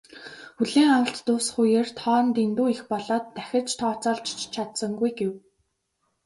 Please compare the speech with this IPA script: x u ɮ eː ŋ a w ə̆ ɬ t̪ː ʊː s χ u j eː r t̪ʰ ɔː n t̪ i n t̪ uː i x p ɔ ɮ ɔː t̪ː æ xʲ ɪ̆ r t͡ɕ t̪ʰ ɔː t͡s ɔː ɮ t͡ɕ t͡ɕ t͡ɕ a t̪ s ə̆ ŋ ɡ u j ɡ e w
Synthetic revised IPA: x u ɮ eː ŋ a w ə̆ ɬ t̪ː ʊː s χ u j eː r t̪ʰ ɔː n t̪ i n t̪ uː i x p ɔ ɮ ɔː t̪ː æ xʲ ɪ̆ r t͡ɕ t̪ʰ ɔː t͡s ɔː ɮ t͡ɕ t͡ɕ t͡ɕʰ a t̪ s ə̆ ŋ ɡ u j ɡ e w